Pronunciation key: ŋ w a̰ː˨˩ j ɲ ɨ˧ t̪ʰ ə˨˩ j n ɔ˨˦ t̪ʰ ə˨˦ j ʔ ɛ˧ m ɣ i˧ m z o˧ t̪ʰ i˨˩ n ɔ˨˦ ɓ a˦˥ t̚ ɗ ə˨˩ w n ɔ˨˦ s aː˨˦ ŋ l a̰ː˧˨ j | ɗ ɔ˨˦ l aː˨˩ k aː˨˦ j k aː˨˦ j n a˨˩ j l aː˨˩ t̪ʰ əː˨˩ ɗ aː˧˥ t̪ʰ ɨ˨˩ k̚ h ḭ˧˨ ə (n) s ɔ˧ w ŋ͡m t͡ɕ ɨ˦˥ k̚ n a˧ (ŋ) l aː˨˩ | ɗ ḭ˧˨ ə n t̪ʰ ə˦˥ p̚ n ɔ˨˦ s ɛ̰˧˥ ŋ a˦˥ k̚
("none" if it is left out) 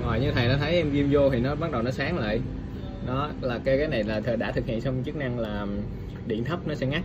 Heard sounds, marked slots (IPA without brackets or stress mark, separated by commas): n, ŋ